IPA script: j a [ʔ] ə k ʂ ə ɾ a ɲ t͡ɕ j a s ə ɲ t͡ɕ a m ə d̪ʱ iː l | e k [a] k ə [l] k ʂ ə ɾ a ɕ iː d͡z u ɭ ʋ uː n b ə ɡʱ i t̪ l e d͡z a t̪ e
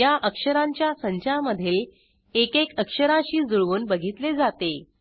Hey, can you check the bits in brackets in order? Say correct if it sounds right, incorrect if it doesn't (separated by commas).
correct, incorrect, incorrect